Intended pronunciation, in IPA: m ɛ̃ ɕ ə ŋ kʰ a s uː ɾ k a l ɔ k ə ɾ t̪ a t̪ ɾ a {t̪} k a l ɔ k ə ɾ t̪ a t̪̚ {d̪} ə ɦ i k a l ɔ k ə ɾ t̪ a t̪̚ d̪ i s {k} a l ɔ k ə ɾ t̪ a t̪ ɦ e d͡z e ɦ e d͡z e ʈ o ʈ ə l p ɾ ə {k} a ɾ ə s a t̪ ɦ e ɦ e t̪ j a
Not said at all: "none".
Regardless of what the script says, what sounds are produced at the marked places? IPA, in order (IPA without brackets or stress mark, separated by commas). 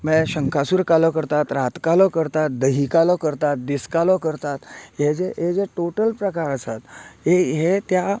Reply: t̪, d̪, k, k